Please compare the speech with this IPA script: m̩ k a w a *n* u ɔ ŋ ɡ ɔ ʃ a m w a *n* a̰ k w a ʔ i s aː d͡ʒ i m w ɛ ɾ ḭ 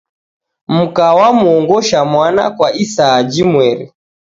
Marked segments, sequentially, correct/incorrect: incorrect, correct

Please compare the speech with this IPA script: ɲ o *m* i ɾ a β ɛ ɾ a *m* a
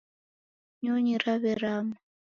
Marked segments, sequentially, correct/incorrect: incorrect, correct

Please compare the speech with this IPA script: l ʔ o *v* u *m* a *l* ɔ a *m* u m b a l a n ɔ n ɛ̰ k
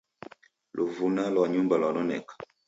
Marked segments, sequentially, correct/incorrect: correct, incorrect, correct, incorrect

